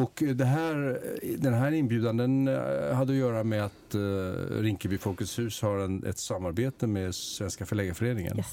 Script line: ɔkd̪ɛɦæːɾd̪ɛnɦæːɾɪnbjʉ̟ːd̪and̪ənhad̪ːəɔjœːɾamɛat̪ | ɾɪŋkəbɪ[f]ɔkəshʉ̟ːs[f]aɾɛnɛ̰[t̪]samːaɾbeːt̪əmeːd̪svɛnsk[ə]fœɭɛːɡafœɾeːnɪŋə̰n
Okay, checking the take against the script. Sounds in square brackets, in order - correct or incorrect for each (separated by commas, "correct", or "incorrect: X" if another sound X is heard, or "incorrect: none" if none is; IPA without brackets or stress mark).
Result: correct, incorrect: h, correct, incorrect: a